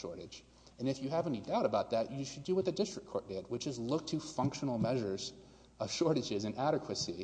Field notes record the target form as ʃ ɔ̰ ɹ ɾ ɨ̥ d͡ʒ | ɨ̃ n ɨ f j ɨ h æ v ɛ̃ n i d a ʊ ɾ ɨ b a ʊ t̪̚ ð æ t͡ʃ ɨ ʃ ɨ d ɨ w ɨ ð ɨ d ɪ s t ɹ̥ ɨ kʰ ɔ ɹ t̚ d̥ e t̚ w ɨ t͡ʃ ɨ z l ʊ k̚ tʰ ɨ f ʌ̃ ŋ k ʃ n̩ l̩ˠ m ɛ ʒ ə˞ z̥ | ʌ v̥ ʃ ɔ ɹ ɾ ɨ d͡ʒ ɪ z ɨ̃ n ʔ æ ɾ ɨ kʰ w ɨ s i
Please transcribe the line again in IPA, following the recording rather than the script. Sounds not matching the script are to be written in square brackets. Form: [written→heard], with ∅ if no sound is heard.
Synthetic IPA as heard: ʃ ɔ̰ ɹ ɾ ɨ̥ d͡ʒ | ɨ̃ n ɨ f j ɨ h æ v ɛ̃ n i d a ʊ ɾ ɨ b a ʊ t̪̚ ð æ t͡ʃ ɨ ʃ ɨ d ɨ w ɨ ð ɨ d ɪ s t ɹ̥ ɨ kʰ ɔ ɹ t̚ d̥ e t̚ w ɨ t͡ʃ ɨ z l ʊ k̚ tʰ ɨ f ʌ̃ ŋ k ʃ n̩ l̩ˠ m ɛ ʒ ə˞ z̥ | ʌ v̥ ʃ ɔ ɹ ɾ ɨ d͡ʒ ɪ z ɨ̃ n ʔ æ ɾ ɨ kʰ w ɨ s i